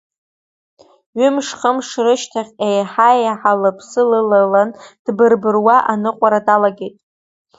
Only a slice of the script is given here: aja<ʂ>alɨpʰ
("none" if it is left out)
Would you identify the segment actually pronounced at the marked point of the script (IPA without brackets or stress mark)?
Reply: ħ